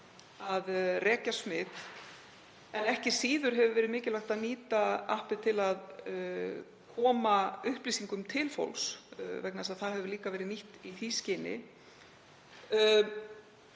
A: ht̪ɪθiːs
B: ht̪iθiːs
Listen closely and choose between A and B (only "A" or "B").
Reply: B